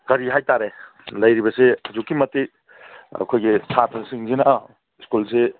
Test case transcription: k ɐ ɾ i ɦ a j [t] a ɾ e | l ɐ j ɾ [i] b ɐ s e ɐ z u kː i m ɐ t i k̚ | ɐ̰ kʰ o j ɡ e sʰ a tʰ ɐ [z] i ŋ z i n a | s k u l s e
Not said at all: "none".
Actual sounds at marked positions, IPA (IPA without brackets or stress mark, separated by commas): t, i, s